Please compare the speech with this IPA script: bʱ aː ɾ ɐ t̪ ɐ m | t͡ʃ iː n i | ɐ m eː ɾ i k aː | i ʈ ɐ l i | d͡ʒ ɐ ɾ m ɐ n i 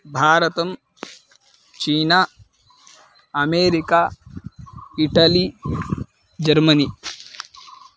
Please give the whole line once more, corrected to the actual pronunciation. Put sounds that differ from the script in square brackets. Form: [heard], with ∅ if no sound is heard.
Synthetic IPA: bʱ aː ɾ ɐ t̪ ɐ m | t͡ʃ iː n [a] | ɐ m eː ɾ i k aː | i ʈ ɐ l i | d͡ʒ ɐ ɾ m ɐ n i

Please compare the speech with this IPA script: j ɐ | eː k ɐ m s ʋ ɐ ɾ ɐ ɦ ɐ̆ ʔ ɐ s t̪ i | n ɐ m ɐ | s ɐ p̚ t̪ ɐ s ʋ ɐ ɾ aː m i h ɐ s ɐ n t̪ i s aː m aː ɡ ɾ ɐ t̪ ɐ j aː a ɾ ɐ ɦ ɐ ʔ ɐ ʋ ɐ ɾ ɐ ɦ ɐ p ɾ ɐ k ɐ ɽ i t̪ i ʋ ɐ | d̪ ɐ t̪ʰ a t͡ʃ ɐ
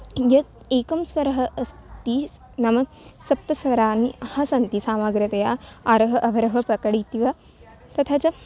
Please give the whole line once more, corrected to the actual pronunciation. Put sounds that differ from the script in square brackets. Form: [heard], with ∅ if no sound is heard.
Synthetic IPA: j ɐ | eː k ɐ m s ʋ ɐ ɾ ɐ ɦ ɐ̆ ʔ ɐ s t̪ i | n ɐ m ɐ | s ɐ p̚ t̪ ɐ s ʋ ɐ ɾ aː [n] i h ɐ s ɐ n t̪ i s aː m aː ɡ ɾ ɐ t̪ ɐ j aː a ɾ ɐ ɦ ɐ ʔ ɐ ʋ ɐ ɾ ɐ ɦ ɐ p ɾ ɐ k ɐ ɽ i t̪ i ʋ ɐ | [t̪] ɐ t̪ʰ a t͡ʃ ɐ

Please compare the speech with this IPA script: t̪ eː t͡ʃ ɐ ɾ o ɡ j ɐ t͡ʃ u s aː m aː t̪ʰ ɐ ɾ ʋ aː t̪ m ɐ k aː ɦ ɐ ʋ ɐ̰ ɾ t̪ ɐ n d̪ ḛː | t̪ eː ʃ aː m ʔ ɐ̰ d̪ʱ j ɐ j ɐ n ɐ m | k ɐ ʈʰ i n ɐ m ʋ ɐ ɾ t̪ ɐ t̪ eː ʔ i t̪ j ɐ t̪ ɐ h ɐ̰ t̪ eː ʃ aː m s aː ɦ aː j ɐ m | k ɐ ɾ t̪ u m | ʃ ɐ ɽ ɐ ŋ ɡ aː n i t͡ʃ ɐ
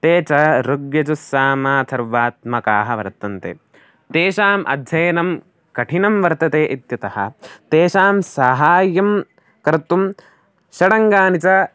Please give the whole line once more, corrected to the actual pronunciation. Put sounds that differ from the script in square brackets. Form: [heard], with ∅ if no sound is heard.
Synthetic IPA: t̪ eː t͡ʃ ɐ ɾ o ɡ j ɐ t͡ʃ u s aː m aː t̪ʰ ɐ ɾ ʋ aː t̪ m ɐ k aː ɦ ɐ ʋ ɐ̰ ɾ t̪ ɐ n [t̪] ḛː | t̪ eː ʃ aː m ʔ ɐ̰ d̪ʱ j ɐ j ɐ n ɐ m | k ɐ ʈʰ i n ɐ m ʋ ɐ ɾ t̪ ɐ t̪ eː ʔ i t̪ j ɐ t̪ ɐ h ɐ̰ t̪ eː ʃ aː m s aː ɦ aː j ɐ m | k ɐ ɾ t̪ u m | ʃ ɐ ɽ ɐ ŋ ɡ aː n i t͡ʃ ɐ

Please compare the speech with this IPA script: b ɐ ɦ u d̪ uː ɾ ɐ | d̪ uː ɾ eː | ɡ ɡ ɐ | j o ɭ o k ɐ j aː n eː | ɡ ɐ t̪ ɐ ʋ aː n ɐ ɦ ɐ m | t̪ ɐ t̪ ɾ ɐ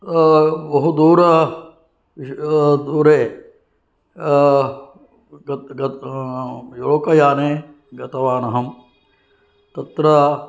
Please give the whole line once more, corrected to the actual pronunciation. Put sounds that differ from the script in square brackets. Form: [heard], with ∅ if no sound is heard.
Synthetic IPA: b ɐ ɦ u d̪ uː ɾ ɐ | d̪ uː ɾ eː | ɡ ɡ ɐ | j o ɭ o k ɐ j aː n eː | ɡ ɐ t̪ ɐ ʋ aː n ɐ ɦ ɐ m | t̪ ɐ t̪ ɾ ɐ

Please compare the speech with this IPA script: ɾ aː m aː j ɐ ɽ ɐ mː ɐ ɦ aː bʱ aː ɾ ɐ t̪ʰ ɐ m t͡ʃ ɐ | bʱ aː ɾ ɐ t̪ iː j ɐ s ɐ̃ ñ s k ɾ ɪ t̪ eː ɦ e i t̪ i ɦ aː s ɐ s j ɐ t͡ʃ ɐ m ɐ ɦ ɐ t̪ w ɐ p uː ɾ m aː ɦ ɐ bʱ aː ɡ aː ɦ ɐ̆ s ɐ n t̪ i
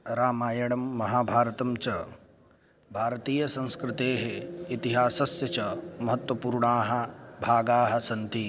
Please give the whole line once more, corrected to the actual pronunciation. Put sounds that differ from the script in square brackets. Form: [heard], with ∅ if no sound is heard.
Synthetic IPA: ɾ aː m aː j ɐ ɽ ɐ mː ɐ ɦ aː bʱ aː ɾ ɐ [t̪] ɐ m t͡ʃ ɐ | bʱ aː ɾ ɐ t̪ iː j ɐ s ɐ̃ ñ s k ɾ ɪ t̪ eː ɦ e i t̪ i ɦ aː s ɐ s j ɐ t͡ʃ ɐ m ɐ ɦ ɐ t̪ w ɐ p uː ɾ [ɳ] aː ɦ ɐ bʱ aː ɡ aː ɦ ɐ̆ s ɐ n t̪ i

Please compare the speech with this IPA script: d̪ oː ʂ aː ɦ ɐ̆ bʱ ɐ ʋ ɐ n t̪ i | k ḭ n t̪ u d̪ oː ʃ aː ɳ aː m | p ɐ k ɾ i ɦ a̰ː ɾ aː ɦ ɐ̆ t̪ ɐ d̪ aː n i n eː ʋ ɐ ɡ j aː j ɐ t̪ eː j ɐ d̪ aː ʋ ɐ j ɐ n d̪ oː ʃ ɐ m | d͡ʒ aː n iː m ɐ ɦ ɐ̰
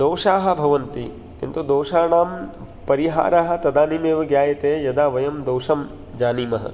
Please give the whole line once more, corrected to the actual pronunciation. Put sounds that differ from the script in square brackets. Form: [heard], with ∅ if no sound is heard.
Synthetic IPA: d̪ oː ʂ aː ɦ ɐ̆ bʱ ɐ ʋ ɐ n t̪ i | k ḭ n t̪ u d̪ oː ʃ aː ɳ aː m | p ɐ [∅] ɾ i ɦ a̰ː ɾ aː ɦ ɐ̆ t̪ ɐ d̪ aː n i [m] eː ʋ ɐ ɡ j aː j ɐ t̪ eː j ɐ d̪ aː ʋ ɐ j ɐ [m] d̪ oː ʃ ɐ m | d͡ʒ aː n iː m ɐ ɦ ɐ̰

